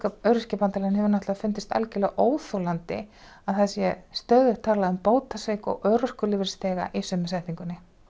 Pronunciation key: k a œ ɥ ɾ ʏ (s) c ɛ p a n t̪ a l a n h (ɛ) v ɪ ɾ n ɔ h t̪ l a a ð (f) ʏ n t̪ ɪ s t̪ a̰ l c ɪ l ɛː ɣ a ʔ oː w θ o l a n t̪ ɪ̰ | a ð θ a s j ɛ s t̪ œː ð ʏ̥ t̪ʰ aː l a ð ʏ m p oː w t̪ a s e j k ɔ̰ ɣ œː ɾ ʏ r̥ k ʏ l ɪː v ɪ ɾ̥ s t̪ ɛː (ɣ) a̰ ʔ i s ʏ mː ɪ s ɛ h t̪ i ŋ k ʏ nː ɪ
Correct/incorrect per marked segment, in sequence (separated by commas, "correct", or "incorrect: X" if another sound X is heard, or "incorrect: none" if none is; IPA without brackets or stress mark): correct, correct, correct, correct